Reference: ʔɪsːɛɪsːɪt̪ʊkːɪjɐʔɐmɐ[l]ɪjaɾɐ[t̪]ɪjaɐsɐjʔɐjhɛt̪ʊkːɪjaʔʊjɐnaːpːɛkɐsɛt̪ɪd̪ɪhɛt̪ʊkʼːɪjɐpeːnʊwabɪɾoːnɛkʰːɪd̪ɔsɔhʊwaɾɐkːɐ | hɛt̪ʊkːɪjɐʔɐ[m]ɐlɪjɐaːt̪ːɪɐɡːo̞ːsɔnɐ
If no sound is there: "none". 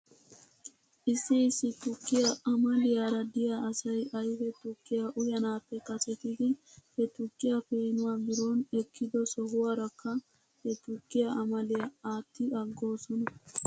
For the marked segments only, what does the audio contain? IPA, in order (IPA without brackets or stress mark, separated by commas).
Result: l, d̪, m